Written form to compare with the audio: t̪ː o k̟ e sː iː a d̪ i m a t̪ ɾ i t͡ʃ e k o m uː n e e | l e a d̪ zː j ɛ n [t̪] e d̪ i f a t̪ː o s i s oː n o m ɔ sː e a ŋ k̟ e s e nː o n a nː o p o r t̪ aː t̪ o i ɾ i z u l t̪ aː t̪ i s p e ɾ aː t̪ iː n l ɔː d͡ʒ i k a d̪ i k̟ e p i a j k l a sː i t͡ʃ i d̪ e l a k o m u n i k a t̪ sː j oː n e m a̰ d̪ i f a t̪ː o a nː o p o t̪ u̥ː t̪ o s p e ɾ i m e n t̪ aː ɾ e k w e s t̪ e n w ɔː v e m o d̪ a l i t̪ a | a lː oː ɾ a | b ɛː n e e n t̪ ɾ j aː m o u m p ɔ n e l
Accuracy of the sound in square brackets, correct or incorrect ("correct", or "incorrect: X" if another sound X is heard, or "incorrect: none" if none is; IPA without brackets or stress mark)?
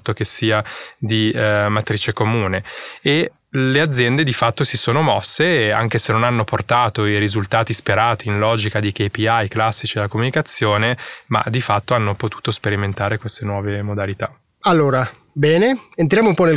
incorrect: d̪